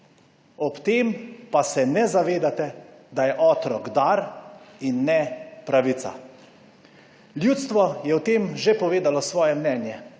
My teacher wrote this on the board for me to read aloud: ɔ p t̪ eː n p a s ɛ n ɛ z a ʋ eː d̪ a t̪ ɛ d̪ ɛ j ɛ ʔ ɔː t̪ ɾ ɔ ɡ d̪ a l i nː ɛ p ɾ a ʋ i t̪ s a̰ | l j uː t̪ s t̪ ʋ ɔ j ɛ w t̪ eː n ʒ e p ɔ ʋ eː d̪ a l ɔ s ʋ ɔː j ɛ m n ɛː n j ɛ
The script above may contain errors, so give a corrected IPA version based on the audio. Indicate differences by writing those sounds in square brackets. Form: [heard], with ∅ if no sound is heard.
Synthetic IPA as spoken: ɔ p t̪ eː [m] p a s ɛ n ɛ z a ʋ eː d̪ a t̪ ɛ d̪ [a] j ɛ ʔ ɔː t̪ ɾ ɔ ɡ d̪ a [ɾ] i nː ɛ p ɾ a ʋ i t̪ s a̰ | l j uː t̪ s t̪ ʋ ɔ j ɛ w t̪ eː [m] ʒ e p ɔ ʋ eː d̪ a l ɔ s ʋ ɔː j ɛ m n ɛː n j ɛ